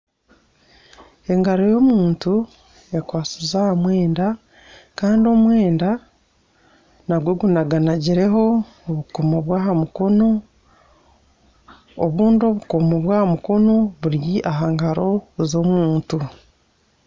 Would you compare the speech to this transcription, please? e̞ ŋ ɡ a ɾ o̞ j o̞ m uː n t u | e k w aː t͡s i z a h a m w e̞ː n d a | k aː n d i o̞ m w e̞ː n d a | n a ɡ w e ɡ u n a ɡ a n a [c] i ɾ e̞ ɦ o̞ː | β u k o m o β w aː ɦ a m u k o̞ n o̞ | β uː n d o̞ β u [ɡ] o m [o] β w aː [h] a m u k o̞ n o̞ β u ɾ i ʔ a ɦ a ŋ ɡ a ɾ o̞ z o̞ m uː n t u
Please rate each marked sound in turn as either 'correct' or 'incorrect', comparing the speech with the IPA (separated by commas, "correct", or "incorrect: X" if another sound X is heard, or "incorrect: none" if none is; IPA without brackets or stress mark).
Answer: incorrect: ɟ, incorrect: k, correct, correct